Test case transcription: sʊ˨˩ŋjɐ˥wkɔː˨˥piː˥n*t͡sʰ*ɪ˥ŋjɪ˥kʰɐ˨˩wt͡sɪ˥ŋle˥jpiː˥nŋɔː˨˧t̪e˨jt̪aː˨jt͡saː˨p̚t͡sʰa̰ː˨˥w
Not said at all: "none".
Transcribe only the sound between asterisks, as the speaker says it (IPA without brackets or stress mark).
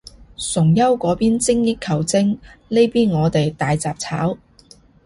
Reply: t͡s